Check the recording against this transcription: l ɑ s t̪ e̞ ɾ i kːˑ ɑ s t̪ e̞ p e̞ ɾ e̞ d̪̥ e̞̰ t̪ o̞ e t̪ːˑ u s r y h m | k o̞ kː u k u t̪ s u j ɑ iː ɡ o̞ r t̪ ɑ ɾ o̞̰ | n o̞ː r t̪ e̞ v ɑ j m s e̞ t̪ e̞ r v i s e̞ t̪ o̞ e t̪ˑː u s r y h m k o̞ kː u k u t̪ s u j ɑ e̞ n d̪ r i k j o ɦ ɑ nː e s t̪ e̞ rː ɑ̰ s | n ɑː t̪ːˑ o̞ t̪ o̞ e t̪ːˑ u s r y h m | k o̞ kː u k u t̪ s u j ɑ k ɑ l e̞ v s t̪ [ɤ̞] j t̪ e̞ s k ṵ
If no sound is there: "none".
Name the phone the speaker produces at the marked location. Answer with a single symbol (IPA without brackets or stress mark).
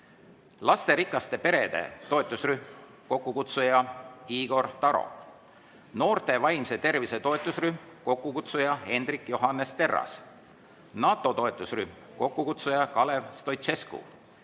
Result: o̞